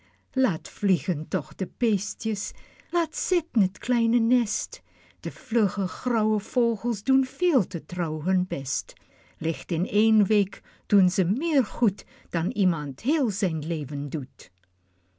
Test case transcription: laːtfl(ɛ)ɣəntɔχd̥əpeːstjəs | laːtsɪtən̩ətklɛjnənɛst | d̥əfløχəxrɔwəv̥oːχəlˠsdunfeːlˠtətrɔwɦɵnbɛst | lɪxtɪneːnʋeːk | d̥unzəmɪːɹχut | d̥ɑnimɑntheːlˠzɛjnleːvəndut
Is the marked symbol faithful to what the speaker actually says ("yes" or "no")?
no